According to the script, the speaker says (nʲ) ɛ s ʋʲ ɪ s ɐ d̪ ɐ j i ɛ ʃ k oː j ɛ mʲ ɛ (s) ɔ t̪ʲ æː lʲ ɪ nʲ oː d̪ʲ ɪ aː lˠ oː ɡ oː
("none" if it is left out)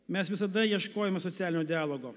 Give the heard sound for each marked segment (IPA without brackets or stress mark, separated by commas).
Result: mʲ, s